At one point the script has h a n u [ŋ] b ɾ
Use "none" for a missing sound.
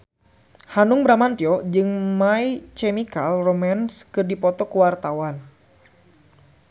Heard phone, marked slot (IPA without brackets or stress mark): ŋ